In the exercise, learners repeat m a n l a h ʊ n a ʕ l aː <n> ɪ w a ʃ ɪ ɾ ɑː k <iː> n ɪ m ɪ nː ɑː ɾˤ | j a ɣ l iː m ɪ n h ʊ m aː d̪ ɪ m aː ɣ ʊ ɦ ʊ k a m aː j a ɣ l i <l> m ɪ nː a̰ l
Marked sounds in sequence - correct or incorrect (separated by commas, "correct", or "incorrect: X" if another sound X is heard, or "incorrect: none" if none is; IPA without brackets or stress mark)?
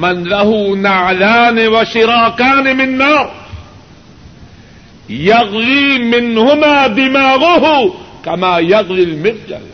correct, incorrect: aː, correct